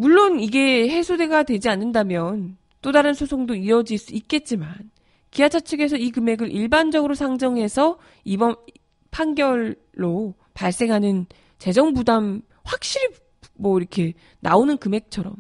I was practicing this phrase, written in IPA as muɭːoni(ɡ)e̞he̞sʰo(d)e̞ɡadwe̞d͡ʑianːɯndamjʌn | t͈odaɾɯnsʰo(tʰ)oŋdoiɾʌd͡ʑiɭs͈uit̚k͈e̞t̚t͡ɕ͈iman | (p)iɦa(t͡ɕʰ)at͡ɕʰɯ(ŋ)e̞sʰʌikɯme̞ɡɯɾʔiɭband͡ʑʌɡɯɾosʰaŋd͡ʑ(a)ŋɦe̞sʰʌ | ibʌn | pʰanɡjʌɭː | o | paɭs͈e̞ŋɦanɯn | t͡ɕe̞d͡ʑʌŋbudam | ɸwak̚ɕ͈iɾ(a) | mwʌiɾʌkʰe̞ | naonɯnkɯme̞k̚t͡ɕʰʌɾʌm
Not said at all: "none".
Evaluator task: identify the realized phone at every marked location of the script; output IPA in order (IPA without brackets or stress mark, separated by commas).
ɡ, d, sʰ, k, t͡ɕʰ, ɡ, ʌ, i